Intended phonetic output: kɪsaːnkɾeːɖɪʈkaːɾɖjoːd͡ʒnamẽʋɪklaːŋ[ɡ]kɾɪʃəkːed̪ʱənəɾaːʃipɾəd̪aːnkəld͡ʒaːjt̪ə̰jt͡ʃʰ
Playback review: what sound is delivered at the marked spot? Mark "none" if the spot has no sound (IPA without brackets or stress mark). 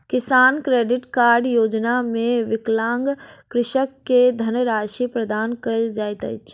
ɡ